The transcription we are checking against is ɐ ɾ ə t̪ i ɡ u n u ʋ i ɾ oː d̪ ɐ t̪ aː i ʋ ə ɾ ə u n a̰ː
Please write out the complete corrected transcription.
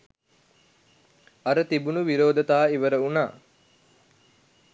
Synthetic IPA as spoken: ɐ ɾ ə t̪ i b u n u ʋ i ɾ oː d̪ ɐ t̪ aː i ʋ ə ɾ ə u n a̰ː

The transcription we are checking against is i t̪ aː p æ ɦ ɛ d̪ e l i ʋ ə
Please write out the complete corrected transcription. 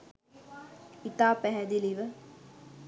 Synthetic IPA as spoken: i t̪ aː p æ ɦ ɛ d̪ i l i ʋ ə

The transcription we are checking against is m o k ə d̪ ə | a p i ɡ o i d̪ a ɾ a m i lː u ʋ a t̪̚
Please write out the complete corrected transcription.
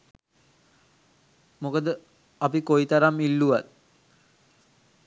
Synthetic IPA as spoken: m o k ə d̪ ə | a p i k o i t̪ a ɾ a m i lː u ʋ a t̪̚

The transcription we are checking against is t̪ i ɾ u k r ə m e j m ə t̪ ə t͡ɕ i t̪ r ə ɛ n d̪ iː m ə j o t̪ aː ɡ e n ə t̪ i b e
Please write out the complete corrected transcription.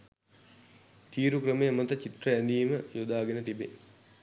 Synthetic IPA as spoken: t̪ iː ɾ u k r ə m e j m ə t̪ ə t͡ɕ i t̪ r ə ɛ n d̪ iː m ə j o d̪ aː ɡ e n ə t̪ i b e

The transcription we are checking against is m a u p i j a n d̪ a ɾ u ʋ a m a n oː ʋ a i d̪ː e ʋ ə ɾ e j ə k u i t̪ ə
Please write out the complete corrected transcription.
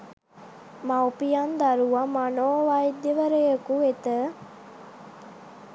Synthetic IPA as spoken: m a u p i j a n d̪ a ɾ u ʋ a m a n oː ʋ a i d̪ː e ʋ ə ɾ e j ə k u e t̪ ə

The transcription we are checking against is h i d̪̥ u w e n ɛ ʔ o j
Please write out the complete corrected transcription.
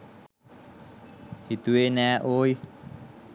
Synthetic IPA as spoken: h i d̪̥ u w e n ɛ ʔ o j

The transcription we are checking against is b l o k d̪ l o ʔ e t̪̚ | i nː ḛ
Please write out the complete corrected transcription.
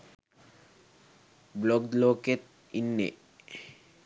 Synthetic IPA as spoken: b l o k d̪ l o k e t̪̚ | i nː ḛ

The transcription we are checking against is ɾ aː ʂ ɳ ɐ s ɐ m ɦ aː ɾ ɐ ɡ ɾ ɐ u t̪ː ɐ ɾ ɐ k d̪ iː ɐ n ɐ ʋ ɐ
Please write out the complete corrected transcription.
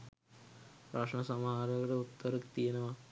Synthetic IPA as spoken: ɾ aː ʂ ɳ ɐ s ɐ m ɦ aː ɾ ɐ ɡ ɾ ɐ u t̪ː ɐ ɾ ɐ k t̪ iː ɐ n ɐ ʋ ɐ

